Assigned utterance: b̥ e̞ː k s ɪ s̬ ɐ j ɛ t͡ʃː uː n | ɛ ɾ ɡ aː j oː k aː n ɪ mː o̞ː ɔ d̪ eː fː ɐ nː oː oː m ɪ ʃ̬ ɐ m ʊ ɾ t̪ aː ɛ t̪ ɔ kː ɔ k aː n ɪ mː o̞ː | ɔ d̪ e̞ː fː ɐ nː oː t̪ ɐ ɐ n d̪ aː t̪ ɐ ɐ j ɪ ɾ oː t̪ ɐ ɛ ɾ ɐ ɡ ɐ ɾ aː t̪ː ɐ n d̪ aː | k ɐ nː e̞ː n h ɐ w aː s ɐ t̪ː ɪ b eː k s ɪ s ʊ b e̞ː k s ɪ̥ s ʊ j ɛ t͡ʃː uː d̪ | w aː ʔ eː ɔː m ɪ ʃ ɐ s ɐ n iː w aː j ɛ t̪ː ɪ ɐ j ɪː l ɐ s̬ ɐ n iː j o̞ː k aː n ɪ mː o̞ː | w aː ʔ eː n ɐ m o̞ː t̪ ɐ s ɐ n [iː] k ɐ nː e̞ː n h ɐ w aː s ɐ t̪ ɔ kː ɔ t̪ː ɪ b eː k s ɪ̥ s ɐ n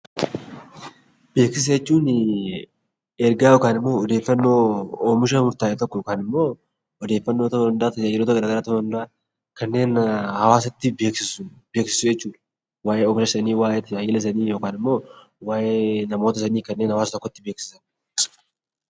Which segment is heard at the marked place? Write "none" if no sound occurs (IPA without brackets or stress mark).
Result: iː